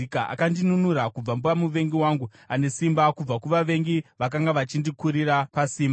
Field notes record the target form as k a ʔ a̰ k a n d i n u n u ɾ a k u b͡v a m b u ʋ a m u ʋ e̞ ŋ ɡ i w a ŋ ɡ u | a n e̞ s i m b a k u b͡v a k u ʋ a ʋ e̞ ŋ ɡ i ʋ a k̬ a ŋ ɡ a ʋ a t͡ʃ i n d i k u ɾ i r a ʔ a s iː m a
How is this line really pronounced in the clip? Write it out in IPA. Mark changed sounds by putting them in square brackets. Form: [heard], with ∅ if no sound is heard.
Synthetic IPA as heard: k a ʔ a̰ k a n d i n u n u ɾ a k u b͡v a m b u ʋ a m u ʋ e̞ ŋ ɡ i w a ŋ ɡ u | a n e̞ s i m b a k u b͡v a k u ʋ a ʋ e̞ ŋ ɡ i ʋ a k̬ a ŋ ɡ a ʋ a t͡ʃ i n d i k u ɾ i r a [p] a s iː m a